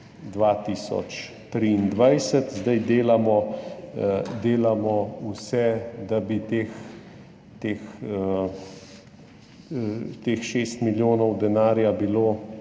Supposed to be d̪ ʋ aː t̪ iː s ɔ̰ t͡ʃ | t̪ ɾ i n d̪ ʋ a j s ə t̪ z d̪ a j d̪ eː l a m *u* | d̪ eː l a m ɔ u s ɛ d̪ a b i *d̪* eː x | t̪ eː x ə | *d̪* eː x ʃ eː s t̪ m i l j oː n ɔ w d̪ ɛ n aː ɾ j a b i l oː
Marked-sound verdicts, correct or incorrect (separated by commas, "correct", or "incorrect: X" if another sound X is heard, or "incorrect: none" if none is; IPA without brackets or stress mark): incorrect: ɔ, incorrect: t̪, incorrect: t̪